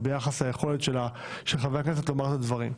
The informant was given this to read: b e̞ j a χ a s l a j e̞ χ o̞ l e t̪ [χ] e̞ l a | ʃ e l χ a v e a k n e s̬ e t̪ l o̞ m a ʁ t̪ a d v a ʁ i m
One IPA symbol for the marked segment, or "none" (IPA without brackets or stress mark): ʃ